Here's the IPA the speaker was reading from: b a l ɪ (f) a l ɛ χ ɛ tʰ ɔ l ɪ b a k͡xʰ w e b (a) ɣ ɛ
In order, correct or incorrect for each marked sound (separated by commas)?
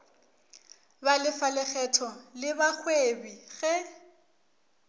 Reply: correct, incorrect